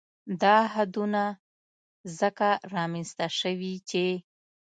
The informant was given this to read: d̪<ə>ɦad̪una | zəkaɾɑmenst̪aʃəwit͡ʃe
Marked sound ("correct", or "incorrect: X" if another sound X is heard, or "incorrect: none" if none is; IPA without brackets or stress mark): incorrect: ɑ